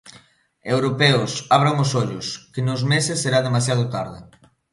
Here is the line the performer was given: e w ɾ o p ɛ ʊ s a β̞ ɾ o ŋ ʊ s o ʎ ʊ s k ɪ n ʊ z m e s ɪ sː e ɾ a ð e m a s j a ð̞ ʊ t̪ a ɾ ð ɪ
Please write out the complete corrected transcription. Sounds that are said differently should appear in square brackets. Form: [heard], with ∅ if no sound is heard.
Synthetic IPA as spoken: e w ɾ o p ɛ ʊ s a β̞ ɾ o ŋ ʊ s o ʎ ʊ s k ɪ n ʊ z m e s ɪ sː e ɾ a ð e m a s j a ð̞ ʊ t̪ a ɾ ð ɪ